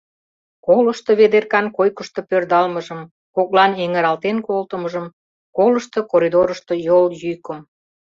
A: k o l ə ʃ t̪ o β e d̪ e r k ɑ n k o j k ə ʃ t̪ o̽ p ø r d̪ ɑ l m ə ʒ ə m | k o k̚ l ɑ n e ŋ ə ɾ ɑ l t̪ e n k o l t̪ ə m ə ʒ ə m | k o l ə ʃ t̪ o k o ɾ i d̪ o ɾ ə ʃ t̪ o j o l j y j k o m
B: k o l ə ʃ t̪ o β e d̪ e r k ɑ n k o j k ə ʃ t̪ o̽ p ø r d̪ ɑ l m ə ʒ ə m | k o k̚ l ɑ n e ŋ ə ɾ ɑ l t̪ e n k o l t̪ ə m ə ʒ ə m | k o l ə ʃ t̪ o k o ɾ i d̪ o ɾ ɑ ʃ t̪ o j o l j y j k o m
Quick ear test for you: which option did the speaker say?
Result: A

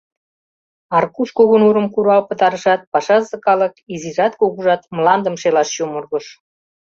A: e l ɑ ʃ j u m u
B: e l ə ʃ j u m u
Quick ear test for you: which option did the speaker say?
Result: A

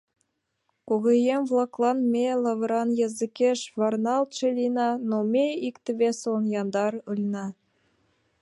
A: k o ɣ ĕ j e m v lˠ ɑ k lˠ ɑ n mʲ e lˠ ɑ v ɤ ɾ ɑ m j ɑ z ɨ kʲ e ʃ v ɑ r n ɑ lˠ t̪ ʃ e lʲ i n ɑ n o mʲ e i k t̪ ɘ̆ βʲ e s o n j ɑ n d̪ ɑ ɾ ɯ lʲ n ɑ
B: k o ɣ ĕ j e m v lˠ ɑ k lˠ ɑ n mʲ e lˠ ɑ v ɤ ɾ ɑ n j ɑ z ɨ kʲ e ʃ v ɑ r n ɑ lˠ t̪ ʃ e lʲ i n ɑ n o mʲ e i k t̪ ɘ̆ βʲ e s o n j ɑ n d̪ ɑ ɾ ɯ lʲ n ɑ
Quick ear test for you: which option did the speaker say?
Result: B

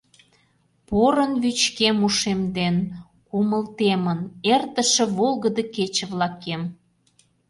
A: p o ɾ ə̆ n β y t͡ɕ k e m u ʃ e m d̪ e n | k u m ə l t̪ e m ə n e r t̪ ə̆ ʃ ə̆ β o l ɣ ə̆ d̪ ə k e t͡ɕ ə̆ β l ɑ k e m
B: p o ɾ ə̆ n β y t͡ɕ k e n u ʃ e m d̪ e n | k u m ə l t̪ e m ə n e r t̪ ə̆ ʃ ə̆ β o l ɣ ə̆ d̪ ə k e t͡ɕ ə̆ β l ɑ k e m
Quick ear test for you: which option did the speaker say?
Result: A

